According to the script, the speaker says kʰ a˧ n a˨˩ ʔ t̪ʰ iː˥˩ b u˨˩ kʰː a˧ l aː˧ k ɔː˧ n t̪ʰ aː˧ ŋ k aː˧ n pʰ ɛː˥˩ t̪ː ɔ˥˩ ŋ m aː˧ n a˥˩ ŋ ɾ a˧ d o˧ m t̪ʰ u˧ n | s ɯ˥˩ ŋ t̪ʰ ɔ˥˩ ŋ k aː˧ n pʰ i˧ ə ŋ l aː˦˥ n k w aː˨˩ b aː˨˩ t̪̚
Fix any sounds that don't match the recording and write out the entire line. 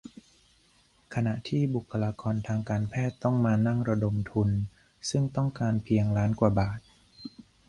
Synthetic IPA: kʰ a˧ n a˨˩ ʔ t̪ʰ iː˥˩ b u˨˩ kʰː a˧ l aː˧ k ɔː˧ n t̪ʰ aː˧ ŋ k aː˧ n pʰ ɛː˥˩ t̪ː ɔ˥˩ ŋ m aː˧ n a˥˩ ŋ ɾ a˧ d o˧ m t̪ʰ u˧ n | s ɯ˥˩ ŋ t̪ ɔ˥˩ ŋ k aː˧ n pʰ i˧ ə ŋ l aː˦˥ n k w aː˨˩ b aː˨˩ t̪̚